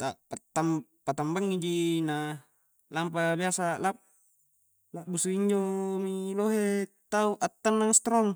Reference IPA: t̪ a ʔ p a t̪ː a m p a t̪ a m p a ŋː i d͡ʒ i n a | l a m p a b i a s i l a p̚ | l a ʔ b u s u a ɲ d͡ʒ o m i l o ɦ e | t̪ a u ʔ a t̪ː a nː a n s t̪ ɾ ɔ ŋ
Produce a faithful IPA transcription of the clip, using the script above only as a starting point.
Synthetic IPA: t̪ a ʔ p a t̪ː a m p a t̪ a m b a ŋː i d͡ʒ i n a | l a m p a b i a s a l a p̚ | l a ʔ b u s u i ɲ d͡ʒ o m i l o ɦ e | t̪ a u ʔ a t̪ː a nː a ŋ s t̪ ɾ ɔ ŋ